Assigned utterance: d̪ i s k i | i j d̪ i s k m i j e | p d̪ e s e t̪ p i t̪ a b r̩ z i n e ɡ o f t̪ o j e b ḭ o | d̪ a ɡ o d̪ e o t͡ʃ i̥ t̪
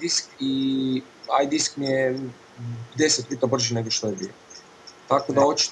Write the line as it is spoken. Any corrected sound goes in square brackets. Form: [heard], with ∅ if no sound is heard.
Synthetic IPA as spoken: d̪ i s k i | [a] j d̪ i s k m i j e | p d̪ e s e t̪ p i t̪ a b r̩ [ʒ] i n e ɡ o [ʃ] t̪ o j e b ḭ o | [t̪] a [k] o d̪ [a] o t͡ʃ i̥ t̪